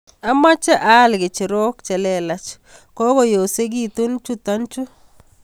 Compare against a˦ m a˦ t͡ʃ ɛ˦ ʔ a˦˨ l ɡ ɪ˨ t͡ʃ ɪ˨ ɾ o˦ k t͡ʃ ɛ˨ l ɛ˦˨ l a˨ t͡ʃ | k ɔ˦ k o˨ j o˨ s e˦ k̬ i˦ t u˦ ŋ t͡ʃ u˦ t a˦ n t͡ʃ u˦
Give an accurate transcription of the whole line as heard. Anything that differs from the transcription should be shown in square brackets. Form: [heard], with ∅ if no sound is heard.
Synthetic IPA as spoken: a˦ m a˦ t͡ʃ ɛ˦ ʔ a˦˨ l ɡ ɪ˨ t͡ʃ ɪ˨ ɾ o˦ k t͡ʃ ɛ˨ l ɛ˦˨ l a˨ t͡ʃ | k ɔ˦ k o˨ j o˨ s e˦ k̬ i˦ t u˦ [n] t͡ʃ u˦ t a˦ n t͡ʃ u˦